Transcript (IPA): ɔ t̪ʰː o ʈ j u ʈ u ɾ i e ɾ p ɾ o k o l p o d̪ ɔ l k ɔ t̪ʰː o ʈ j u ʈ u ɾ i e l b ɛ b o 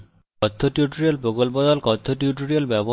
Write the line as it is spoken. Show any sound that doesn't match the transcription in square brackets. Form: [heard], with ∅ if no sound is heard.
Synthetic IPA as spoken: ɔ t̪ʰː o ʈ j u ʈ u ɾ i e [l] p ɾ o k o l p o d̪ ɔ l k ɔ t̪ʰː o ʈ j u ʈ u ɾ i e l b ɛ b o